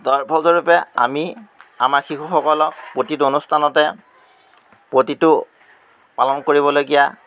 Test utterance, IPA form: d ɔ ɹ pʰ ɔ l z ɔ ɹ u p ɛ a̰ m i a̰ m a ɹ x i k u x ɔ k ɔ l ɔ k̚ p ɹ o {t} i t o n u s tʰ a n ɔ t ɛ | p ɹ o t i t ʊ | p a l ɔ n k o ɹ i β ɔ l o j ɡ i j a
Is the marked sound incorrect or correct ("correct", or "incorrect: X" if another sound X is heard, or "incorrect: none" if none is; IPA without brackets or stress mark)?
correct